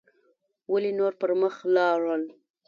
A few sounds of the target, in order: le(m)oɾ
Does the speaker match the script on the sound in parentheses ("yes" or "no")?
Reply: no